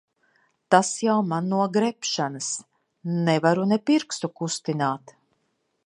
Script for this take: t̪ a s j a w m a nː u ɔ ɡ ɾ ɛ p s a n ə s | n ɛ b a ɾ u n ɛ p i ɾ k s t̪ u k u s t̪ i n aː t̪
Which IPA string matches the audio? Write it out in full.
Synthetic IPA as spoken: t̪ a s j a w m a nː u ɔ ɡ ɾ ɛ p ʃ a n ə s | n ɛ v a ɾ u n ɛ p i ɾ k s t̪ u k u s t̪ i n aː t̪

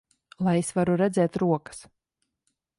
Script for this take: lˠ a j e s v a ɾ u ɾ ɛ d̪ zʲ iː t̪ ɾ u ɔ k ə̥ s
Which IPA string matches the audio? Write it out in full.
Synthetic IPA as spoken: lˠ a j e s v a ɾ u ɾ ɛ d̪ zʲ ɛː t̪ ɾ u ɔ k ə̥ s

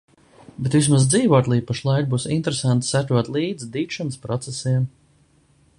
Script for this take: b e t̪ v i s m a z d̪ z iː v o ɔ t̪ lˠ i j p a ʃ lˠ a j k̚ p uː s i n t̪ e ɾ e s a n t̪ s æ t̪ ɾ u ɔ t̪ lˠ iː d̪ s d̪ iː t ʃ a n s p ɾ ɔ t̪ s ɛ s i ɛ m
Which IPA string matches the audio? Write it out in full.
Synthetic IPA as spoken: b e t̪ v i s m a z d̪ z iː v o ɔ t̪ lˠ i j p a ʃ lˠ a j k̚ b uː s i n t̪ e ɾ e s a n t̪ s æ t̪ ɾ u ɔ t̪ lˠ iː d̪ z d̪ iː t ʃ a n s p ɾ ɔ t̪ s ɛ s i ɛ m

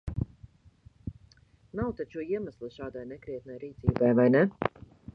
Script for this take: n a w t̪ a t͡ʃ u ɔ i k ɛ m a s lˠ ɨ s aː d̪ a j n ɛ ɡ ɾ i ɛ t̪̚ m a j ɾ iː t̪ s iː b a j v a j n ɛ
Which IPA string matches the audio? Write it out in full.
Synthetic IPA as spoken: n a w t̪ a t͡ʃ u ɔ i ɛ m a s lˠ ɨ ʃ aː d̪ a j n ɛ k ɾ i ɛ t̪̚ n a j ɾ iː t̪ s iː b a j v a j n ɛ

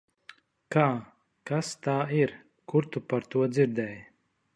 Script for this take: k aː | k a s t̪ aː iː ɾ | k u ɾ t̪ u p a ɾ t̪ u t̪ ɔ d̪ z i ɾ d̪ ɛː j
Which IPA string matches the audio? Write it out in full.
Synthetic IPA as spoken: k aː | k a s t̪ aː i ɾ | k u ɾ t̪ u p a ɾ t̪ u ɔ d̪ z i ɾ d̪ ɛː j

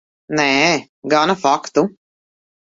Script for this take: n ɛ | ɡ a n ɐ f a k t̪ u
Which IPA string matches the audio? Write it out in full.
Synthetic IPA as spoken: n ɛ | ɡ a n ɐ f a k t̪ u

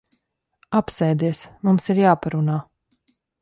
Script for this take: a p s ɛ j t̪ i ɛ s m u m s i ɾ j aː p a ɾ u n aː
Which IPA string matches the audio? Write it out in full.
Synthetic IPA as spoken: a p s ɛ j d̪ i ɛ s m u m s i ɾ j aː p a ɾ u n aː

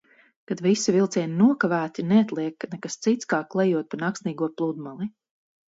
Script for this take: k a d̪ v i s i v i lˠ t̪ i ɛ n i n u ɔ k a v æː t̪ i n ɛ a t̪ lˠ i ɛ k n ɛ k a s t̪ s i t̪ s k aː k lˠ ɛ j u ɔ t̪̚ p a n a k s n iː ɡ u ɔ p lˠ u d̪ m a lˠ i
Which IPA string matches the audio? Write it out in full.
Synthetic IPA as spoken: k a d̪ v i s i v i lˠ t̪ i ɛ n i n u ɔ k a v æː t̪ i n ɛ a t̪ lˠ i ɛ k n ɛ k a s t̪ s i t̪ s k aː k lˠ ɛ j u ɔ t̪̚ p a n a k s n iː ɡ u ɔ p lˠ u d̪ m a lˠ i

